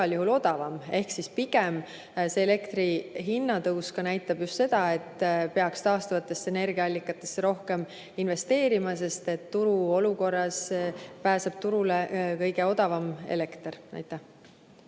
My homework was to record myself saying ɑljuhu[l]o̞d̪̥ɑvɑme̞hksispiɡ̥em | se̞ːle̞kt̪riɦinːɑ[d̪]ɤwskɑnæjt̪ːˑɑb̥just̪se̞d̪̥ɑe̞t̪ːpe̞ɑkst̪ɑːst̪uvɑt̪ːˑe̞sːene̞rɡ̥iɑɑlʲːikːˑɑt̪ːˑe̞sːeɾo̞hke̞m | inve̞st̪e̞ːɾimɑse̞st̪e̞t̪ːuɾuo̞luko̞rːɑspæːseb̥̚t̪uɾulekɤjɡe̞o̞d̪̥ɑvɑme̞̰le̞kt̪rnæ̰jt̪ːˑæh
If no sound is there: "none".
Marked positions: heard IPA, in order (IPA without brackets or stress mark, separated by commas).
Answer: l, t̪